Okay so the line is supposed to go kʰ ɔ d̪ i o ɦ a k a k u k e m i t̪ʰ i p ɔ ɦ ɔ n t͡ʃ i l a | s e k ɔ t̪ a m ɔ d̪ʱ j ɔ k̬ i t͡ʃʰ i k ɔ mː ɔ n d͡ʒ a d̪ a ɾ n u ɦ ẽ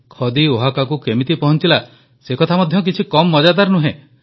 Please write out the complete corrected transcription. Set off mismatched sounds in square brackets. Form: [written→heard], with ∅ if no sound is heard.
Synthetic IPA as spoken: kʰ ɔ d̪ i o ɦ a k a k u k e m i [t̪ʰ→t̪] i p ɔ ɦ ɔ n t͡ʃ i l a | s e k ɔ [t̪→t̪ʰ] a m ɔ d̪ʱ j ɔ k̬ i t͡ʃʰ i k ɔ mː ɔ [n→∅] d͡ʒ a d̪ a ɾ n u ɦ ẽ